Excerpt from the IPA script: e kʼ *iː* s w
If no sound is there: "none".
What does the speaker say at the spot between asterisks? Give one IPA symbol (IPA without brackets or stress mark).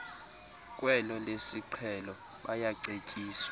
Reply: iː